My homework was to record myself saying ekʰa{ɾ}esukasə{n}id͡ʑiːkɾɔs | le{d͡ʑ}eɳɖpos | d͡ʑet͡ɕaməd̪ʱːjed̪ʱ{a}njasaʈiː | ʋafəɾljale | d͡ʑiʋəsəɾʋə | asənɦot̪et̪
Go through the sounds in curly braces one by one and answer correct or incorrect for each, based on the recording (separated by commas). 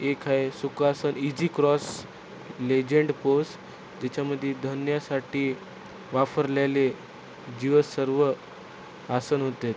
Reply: incorrect, correct, correct, incorrect